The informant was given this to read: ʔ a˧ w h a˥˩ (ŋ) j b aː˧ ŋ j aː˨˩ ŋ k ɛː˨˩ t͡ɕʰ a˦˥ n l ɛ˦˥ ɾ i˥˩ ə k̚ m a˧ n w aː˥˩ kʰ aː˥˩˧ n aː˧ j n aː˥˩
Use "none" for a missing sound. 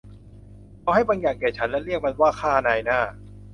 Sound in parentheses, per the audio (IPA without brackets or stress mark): none